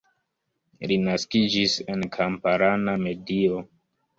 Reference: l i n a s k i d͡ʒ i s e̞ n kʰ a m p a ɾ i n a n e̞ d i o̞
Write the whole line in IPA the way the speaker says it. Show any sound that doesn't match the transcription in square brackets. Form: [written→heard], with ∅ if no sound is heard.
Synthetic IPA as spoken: l i n a s k i d͡ʒ i s e̞ n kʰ a m p a ɾ [i→a] n a [n→m] e̞ d i o̞